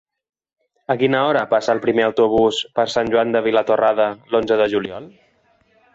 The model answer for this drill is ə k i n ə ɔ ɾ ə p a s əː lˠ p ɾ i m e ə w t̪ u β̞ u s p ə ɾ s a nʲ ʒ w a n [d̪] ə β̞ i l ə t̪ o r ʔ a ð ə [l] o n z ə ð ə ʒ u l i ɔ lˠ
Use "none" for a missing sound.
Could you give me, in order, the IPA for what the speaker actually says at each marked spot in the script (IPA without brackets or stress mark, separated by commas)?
d̪, l